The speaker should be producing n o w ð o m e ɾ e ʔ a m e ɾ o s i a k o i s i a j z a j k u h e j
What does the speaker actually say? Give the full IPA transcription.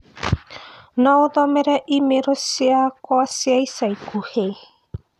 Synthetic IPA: n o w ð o m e ɾ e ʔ i m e ɾ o s i a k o a s i a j s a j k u h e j